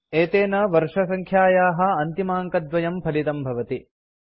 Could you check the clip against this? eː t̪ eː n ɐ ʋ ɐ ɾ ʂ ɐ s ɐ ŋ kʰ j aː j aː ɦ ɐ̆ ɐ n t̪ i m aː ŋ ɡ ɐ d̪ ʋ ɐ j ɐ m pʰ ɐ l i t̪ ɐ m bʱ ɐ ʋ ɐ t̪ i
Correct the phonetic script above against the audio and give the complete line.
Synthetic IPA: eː t̪ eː n ɐ ʋ ɐ ɾ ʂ ɐ s ɐ ŋ kʰ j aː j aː ɦ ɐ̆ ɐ n t̪ i m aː ŋ k ɐ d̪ ʋ ɐ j ɐ m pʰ ɐ l i t̪ ɐ m bʱ ɐ ʋ ɐ t̪ i